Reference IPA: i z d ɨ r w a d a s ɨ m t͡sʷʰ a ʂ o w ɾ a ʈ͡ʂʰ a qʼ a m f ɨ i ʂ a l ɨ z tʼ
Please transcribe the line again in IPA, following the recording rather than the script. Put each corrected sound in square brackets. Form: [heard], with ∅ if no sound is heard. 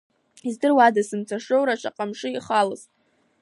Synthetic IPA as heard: i z d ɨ r w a d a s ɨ m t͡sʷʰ a ʂ o w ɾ a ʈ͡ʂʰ a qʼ a m [ʂ] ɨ i [χ] a l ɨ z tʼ